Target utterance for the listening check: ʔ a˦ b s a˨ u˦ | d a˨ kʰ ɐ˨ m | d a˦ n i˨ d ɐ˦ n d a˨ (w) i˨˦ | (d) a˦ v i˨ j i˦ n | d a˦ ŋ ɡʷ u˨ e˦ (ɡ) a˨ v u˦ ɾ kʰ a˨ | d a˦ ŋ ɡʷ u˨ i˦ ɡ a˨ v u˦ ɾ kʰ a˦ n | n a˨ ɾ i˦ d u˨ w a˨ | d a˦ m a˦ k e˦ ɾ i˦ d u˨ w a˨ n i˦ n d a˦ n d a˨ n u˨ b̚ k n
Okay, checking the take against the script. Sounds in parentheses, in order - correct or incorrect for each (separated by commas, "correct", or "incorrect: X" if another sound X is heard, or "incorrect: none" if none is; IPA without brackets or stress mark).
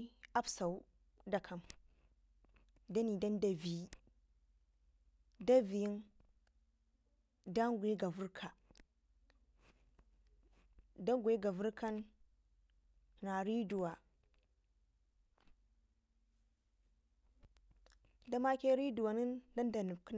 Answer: incorrect: v, correct, correct